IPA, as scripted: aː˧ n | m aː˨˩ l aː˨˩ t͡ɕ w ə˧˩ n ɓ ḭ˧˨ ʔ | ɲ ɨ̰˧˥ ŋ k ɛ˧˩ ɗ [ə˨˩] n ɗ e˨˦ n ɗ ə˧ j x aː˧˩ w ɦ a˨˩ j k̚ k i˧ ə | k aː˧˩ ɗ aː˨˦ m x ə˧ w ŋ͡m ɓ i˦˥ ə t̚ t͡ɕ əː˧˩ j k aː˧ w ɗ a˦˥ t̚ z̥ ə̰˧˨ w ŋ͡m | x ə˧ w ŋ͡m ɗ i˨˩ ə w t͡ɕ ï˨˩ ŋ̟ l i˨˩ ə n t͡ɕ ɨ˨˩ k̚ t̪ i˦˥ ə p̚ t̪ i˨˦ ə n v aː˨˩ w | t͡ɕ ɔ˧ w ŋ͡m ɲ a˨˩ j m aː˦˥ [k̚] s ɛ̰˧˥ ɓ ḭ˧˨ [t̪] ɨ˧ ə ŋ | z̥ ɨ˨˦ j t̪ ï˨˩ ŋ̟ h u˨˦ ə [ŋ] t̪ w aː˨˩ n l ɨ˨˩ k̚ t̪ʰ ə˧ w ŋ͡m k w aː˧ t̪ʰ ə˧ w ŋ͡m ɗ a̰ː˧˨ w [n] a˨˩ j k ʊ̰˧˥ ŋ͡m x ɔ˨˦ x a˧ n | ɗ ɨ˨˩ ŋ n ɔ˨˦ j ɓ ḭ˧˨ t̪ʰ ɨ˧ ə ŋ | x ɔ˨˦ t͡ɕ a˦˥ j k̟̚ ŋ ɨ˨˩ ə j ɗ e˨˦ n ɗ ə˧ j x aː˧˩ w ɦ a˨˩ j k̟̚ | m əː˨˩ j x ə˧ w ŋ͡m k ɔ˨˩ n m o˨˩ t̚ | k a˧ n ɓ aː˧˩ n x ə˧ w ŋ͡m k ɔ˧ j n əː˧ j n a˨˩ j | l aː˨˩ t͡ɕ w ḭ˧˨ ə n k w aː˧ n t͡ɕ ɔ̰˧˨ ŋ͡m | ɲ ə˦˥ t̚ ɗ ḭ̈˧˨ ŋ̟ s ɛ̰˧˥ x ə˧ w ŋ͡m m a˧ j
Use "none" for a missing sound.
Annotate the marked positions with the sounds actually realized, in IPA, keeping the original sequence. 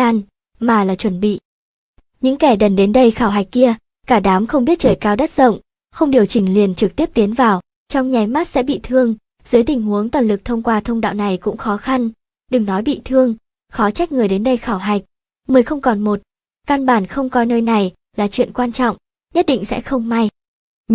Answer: ə˨˩, t̚, t̪ʰ, ŋ, n

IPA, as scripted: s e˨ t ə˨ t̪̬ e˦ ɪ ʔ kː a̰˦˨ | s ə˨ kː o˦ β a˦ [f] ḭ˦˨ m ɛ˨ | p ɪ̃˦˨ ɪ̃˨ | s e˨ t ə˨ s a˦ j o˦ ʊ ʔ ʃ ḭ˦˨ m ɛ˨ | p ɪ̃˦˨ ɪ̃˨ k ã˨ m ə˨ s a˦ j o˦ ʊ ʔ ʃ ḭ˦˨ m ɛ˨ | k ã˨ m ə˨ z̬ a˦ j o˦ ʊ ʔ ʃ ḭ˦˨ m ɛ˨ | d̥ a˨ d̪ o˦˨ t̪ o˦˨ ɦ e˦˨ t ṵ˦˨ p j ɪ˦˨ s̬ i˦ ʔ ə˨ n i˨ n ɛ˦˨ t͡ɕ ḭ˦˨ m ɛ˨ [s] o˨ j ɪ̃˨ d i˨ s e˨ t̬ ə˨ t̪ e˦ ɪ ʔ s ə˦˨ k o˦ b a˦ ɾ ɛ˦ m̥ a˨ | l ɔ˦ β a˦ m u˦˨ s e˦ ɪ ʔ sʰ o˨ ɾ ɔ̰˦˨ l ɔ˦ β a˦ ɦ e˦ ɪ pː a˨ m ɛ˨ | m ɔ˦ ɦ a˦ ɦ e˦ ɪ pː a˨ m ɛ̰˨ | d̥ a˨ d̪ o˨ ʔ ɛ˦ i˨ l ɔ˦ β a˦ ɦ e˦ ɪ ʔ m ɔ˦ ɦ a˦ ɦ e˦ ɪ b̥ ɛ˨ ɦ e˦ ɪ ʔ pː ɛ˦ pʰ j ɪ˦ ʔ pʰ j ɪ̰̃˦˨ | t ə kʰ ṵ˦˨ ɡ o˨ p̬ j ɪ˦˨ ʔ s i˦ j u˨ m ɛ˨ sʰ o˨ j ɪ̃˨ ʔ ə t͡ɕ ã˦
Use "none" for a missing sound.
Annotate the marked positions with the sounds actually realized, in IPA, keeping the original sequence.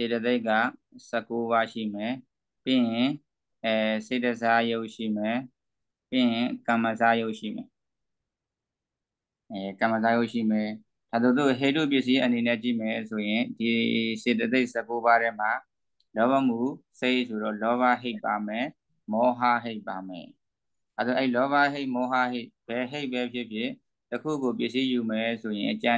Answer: ʃ, s

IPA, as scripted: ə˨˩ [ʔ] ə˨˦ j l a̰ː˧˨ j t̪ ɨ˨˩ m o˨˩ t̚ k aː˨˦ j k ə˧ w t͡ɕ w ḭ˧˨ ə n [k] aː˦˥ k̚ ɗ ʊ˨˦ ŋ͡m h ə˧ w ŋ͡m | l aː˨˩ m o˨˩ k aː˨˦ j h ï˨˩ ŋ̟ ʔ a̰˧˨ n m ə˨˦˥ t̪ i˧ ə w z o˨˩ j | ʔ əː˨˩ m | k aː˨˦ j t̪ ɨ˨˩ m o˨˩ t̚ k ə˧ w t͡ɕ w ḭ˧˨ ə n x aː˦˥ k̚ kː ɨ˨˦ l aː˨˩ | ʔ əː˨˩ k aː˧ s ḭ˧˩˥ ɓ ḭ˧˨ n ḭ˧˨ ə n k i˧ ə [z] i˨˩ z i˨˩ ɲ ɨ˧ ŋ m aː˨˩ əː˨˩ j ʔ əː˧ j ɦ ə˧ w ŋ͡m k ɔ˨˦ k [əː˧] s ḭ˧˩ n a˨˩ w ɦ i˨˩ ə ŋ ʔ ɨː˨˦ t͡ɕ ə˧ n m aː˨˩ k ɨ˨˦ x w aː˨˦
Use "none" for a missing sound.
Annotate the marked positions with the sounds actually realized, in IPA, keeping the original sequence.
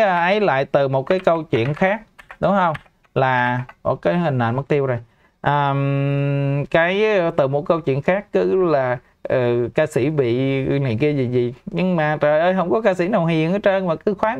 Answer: ʔ, x, z, aː˧

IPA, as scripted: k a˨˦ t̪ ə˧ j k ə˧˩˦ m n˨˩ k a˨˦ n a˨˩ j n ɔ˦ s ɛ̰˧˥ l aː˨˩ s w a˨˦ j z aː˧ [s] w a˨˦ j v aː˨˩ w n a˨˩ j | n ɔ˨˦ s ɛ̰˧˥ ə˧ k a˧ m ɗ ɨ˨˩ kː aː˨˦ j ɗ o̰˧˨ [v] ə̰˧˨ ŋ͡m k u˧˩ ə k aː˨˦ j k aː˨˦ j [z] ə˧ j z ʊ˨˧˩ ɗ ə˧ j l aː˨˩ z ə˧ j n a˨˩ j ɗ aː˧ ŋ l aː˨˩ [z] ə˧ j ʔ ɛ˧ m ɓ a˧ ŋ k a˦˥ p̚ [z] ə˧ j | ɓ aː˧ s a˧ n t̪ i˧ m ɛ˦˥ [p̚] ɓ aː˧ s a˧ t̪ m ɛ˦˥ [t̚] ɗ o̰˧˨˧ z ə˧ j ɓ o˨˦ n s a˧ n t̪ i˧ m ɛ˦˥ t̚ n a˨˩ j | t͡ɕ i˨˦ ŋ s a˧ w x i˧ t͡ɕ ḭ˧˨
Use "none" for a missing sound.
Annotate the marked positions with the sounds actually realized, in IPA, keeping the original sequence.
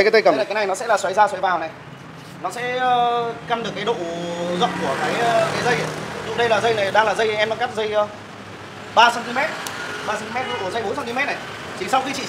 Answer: s, z, z, z, z, t̚, t̚

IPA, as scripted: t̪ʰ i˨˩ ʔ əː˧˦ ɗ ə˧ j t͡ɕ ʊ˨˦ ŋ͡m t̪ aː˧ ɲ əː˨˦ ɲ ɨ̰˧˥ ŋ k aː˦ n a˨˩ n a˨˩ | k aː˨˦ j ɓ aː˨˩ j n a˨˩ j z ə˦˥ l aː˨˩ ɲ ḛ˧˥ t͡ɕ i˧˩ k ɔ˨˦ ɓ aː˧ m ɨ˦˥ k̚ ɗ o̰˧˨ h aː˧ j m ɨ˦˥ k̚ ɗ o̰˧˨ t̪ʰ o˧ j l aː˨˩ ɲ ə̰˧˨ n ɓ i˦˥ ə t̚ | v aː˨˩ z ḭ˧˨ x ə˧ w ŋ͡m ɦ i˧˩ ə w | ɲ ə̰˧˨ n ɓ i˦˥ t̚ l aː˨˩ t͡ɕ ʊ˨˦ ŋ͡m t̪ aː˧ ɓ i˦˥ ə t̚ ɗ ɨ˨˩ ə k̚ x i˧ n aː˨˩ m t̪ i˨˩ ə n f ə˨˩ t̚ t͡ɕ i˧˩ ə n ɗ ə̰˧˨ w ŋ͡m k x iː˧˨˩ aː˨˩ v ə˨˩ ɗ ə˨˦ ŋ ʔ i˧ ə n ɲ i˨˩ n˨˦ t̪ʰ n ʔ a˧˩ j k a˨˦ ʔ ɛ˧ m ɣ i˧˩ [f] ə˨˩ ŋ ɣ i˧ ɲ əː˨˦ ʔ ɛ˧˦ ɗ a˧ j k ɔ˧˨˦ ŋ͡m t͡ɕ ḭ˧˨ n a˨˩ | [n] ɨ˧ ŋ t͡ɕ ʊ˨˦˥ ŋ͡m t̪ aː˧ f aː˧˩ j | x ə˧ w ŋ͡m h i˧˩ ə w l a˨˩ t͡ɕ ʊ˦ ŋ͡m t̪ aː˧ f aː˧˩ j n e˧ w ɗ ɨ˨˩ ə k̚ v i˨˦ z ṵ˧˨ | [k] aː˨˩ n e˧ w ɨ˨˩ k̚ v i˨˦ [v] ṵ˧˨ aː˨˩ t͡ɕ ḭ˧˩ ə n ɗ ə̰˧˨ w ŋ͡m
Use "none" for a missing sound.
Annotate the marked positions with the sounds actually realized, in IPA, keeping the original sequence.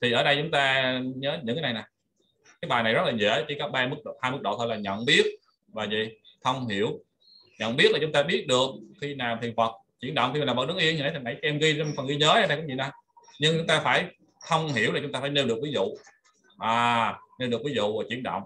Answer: f, ɲ, ʔ, z

